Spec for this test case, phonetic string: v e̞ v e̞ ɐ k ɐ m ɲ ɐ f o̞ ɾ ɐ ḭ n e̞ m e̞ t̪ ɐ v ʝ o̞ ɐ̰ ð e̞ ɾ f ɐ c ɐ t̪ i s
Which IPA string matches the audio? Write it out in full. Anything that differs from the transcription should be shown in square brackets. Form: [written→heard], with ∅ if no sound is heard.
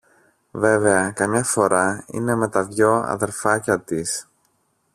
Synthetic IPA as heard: v e̞ v e̞ ɐ k ɐ m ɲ ɐ f o̞ ɾ ɐ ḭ n e̞ m e̞ t̪ ɐ v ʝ o̞ ɐ̰ ð e̞ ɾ f ɐ c ɐ t̪ i s